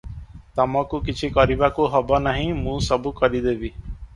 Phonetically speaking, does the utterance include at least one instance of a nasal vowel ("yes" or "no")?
yes